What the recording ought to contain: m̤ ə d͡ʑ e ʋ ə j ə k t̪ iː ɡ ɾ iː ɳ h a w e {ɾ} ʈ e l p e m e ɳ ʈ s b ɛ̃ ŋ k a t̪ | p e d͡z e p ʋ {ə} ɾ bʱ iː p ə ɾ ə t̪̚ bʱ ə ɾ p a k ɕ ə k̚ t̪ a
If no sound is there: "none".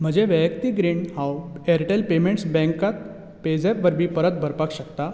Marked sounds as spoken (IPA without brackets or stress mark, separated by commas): ɾ, ə